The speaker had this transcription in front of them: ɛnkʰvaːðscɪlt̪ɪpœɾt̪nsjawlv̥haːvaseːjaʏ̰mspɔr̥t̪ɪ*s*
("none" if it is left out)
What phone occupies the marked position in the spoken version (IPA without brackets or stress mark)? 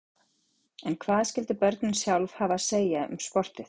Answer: θ